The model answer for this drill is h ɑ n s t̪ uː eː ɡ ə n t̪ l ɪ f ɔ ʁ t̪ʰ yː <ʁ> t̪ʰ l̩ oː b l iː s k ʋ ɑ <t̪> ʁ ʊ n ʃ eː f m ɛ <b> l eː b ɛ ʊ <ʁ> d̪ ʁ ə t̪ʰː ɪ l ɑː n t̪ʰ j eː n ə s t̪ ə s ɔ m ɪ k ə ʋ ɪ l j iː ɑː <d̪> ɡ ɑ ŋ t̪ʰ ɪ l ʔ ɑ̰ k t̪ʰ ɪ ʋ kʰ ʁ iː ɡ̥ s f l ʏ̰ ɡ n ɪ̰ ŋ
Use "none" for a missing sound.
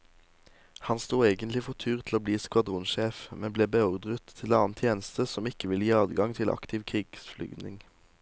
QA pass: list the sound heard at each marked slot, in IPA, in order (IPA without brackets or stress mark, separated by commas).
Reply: ʁ, d̪, b, ʁ, d̪